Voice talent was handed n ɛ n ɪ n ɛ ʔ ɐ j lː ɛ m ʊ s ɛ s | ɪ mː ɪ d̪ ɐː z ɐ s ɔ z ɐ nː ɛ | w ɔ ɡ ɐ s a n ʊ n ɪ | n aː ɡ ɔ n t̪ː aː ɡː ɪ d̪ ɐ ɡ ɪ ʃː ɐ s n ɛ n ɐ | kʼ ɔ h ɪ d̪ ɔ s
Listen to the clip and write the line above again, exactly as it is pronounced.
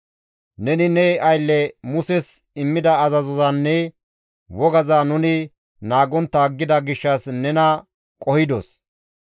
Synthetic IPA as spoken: n ɛ n ɪ n ɛ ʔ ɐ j lː ɛ m ʊ s ɛ s | ɪ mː ɪ d̪ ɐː z ɐ z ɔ z ɐ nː ɛ | w ɔ ɡ ɐ z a n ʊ n ɪ | n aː ɡ ɔ n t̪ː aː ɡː ɪ d̪ ɐ ɡ ɪ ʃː ɐ s n ɛ n ɐ | kʼ ɔ h ɪ d̪ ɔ s